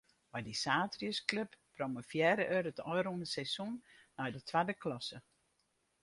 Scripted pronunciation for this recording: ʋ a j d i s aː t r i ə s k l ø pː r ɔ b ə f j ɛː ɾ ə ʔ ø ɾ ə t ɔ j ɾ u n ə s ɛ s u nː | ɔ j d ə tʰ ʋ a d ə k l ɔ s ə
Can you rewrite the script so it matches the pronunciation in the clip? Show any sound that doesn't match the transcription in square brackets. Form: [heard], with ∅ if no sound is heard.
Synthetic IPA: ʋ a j d i s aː t r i ə s k l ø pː r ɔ [m] ə f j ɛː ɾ ə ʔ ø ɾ ə t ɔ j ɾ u n ə s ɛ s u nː | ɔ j d ə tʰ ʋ a d ə k l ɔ s ə